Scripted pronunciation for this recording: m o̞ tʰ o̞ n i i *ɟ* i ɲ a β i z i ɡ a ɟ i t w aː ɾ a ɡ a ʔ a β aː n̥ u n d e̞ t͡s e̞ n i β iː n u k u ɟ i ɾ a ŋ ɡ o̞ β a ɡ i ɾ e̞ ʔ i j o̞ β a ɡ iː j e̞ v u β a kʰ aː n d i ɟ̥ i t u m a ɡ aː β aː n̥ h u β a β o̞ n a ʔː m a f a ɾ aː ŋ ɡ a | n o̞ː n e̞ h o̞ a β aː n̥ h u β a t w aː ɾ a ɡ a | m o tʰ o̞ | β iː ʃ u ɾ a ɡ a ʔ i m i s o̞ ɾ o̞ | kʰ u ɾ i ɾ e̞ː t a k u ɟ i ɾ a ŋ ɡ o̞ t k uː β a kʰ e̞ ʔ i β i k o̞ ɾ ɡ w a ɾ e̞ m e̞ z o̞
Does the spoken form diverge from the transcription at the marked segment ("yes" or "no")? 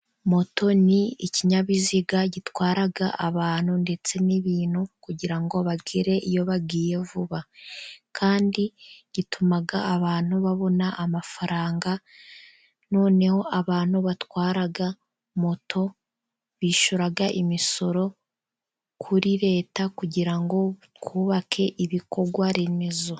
yes